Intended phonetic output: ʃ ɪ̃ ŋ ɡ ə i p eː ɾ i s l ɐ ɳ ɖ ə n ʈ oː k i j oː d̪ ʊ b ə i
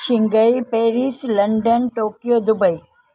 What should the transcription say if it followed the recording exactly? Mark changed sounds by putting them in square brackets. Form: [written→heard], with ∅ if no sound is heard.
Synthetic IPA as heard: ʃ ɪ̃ ŋ ɡ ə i p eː ɾ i s l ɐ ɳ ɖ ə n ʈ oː k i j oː d̪ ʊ b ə i